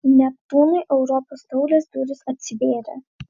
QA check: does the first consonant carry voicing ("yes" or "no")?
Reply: yes